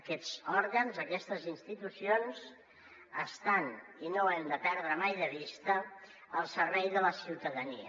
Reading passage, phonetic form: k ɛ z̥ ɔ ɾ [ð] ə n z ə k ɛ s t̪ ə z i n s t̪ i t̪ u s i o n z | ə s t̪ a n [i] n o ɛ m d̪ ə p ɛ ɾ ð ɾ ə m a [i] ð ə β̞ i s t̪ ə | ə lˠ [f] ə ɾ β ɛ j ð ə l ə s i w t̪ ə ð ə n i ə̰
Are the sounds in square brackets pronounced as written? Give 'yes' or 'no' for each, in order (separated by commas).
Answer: no, yes, no, no